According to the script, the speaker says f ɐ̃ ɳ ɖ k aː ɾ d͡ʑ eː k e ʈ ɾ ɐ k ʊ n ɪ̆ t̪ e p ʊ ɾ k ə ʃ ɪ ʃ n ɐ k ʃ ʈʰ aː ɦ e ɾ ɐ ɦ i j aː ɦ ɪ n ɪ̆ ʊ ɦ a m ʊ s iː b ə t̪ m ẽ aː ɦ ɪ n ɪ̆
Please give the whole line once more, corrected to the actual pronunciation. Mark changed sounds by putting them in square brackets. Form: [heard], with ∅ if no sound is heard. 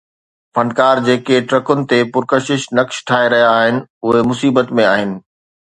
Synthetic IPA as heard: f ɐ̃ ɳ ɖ k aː ɾ d͡ʑ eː k e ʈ ɾ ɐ k ʊ n ɪ̆ t̪ e p ʊ ɾ k ə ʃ ɪ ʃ n ɐ k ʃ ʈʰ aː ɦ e ɾ ɐ ɦ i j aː ɦ ɪ n ɪ̆ ʊ ɦ [e] m ʊ s iː b ə t̪ m ẽ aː ɦ ɪ n ɪ̆